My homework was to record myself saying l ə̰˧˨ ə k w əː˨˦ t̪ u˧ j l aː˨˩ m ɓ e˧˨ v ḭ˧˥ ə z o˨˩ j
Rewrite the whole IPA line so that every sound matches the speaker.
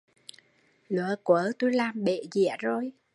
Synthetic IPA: l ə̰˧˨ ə k w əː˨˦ t̪ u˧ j l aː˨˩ m ɓ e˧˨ z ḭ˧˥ ə z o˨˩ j